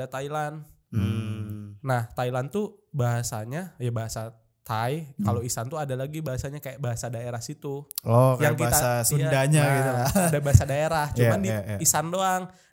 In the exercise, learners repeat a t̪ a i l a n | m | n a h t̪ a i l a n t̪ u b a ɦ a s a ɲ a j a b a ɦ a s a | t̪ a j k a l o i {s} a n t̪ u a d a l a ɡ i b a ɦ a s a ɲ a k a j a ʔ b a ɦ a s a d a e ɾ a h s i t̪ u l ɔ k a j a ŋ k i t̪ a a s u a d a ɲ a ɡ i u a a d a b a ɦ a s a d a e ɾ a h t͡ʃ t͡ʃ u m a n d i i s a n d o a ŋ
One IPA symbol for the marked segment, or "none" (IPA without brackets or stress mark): s